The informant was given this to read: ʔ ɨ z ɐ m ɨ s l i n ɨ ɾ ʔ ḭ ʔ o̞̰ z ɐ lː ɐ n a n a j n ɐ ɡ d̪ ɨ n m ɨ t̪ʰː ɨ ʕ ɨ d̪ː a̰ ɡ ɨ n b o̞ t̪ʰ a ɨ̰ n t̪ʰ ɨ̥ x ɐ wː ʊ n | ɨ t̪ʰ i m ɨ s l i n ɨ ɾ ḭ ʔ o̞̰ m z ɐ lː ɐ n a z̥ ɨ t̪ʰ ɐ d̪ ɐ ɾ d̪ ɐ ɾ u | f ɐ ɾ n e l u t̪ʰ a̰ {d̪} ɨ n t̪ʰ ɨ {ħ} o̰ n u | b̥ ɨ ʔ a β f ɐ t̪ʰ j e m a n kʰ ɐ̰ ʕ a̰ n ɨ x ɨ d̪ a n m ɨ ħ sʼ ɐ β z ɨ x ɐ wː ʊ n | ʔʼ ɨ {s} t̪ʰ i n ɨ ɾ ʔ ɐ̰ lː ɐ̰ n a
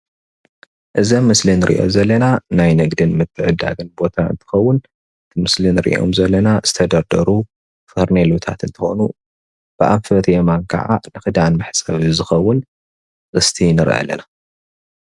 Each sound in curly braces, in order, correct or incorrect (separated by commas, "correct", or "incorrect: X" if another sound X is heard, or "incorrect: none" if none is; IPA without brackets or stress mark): incorrect: t̪, incorrect: x, correct